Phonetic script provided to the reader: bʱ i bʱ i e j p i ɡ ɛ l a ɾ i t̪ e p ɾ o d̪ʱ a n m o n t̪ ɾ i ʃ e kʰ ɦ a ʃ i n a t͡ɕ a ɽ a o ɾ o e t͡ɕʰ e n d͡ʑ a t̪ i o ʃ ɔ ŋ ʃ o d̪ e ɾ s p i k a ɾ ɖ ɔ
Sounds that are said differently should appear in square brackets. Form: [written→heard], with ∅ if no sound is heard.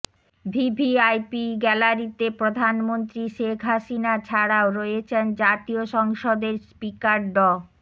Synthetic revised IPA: bʱ i bʱ i [e→a] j p i ɡ ɛ l a ɾ i t̪ e p ɾ o d̪ʱ a n m o n t̪ ɾ i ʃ e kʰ ɦ a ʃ i n a [t͡ɕ→t͡ɕʰ] a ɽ a o ɾ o e t͡ɕʰ e n d͡ʑ a t̪ i o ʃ ɔ ŋ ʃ o d̪ e ɾ s p i k a ɾ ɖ ɔ

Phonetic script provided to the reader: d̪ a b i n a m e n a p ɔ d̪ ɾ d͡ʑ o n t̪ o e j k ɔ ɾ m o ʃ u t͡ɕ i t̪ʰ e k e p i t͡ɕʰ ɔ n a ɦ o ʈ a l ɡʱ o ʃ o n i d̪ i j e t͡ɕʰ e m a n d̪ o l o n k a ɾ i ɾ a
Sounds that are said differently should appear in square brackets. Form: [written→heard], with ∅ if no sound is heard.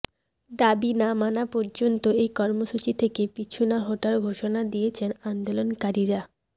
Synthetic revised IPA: d̪ a b i n a m [e→a] n a p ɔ [d̪→∅] ɾ d͡ʑ o n t̪ o e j k ɔ ɾ m o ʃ u t͡ɕ i t̪ʰ e k e p i t͡ɕʰ [ɔ→u] n a ɦ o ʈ a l ɡʱ o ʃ o n [i→a] d̪ i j e t͡ɕʰ e [m→n] a n d̪ o l o n k a ɾ i ɾ a

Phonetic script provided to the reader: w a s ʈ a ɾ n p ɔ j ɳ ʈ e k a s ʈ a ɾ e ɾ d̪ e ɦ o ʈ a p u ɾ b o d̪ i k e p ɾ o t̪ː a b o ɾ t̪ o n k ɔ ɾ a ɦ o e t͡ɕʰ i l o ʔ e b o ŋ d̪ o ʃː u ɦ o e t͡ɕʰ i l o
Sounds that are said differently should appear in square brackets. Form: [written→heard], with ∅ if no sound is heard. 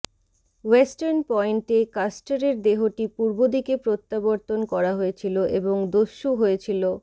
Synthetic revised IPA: w [a→e] s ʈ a ɾ n p ɔ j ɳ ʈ e k a s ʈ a ɾ e ɾ d̪ e ɦ o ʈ [a→i] p u ɾ b o d̪ i k e p ɾ o t̪ː a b o ɾ t̪ o n k ɔ ɾ a ɦ o e t͡ɕʰ i l o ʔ e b o ŋ d̪ o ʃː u ɦ o e t͡ɕʰ i l o

